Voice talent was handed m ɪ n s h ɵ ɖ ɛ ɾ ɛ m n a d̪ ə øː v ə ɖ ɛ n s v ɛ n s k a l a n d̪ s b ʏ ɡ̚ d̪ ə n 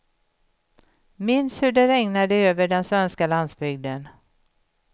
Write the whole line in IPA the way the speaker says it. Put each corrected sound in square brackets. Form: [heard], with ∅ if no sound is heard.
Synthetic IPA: m ɪ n s h ɵ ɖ ɛ ɾ ɛ [ŋ] n a d̪ ə øː v ə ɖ ɛ n s v ɛ n s k a l a n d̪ s b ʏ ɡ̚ d̪ ə n